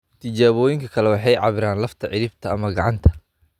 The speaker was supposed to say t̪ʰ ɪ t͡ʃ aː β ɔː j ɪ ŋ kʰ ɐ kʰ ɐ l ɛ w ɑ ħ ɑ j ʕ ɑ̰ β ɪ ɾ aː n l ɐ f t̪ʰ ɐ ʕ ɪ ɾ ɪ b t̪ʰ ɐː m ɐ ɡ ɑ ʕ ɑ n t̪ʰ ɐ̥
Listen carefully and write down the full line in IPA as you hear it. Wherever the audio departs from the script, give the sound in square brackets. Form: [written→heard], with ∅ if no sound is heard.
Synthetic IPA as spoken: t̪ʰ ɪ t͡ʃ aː β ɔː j ɪ ŋ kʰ ɐ kʰ ɐ l ɛ w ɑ ħ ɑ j ʕ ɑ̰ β ɪ ɾ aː n l ɐ f t̪ʰ ɐ ʕ ɪ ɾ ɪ b t̪ʰ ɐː m ɐ ɡ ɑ ʕ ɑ n t̪ʰ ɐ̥